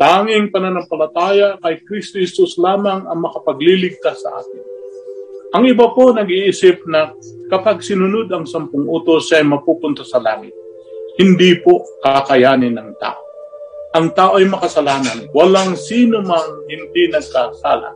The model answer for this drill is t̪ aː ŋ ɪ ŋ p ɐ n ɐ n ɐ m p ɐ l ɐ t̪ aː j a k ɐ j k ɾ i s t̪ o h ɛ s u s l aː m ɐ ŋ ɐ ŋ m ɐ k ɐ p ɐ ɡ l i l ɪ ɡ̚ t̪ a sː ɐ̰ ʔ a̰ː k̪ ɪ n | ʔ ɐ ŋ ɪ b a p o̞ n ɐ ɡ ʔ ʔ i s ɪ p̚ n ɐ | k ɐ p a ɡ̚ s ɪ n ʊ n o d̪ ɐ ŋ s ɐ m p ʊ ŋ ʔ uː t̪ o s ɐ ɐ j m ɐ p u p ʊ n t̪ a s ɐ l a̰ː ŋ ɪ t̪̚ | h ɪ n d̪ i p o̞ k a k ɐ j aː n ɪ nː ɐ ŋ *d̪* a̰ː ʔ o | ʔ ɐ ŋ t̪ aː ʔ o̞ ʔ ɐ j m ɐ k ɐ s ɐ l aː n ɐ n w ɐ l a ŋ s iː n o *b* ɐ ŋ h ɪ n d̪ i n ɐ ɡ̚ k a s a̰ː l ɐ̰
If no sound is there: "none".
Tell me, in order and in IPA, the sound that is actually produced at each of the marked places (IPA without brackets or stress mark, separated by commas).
t̪, m